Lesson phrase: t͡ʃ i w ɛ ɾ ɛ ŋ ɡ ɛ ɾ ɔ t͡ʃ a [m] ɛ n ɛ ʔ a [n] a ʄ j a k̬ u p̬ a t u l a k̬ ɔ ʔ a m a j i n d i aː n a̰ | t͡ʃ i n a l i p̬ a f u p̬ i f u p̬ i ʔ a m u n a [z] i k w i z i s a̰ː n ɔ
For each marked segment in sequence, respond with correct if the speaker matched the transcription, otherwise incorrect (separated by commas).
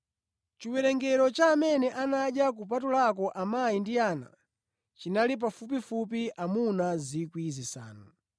correct, correct, correct